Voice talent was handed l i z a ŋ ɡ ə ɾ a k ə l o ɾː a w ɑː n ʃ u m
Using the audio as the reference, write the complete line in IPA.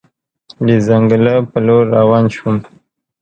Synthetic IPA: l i z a ŋ ɡ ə l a p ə l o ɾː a w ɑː n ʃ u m